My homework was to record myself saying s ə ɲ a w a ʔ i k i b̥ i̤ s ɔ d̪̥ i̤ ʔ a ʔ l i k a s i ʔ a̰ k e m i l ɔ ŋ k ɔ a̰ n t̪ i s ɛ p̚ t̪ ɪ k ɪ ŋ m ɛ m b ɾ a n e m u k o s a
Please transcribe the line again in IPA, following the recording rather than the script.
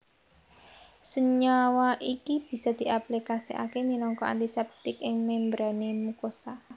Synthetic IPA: s ə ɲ a w a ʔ i k i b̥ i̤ s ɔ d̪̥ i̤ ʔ a p l i k a s i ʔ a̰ k e m i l ɔ ŋ k ɔ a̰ n t̪ i s ɛ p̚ t̪ ɪ k ɪ ŋ m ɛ m b ɾ a n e m u k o s a